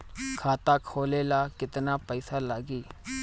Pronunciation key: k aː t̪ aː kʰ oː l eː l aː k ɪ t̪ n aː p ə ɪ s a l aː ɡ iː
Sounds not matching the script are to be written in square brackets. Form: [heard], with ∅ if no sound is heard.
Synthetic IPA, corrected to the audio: [kʰ] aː t̪ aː kʰ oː l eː l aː k ɪ t̪ n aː p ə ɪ s a l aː ɡ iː